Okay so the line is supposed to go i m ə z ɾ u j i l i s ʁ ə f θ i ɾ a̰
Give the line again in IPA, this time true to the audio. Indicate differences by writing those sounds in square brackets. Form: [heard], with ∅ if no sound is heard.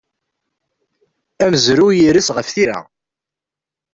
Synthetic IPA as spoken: [æ] m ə z ɾ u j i [ɾ] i s ʁ ə f θ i ɾ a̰